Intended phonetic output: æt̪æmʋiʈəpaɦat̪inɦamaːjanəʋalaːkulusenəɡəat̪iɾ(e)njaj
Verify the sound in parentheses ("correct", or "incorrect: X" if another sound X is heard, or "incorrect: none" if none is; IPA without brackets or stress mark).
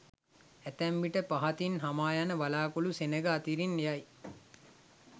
incorrect: i